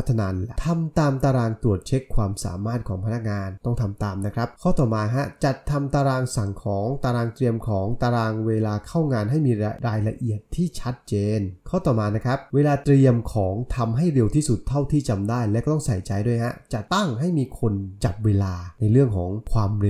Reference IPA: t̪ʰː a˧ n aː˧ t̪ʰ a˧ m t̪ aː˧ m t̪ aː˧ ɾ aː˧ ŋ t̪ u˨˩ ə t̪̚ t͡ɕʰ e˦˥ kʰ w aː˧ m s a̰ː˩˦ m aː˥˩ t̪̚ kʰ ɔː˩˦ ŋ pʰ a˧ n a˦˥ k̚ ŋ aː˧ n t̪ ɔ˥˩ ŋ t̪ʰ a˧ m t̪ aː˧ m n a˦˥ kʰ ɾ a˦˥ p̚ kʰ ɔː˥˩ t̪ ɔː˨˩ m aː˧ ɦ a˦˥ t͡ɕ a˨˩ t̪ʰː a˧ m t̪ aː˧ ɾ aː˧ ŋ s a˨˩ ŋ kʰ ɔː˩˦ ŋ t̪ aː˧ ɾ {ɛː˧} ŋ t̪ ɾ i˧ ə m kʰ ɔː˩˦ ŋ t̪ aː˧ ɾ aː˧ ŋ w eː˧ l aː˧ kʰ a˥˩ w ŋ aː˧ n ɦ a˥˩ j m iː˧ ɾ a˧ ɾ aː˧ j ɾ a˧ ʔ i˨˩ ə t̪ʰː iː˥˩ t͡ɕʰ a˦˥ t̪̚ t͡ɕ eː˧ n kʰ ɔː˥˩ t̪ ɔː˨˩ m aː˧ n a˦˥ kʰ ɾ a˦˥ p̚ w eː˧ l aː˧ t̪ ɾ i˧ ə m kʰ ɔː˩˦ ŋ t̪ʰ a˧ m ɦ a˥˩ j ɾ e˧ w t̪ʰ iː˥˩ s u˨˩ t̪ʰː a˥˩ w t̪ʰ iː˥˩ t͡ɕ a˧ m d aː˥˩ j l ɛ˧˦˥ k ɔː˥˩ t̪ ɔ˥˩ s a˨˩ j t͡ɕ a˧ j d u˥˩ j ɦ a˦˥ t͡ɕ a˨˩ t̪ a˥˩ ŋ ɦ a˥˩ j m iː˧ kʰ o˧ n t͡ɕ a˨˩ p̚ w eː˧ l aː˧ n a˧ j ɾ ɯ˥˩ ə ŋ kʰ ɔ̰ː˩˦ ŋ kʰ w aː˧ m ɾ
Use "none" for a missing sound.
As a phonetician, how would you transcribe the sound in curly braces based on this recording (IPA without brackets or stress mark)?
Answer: aː˧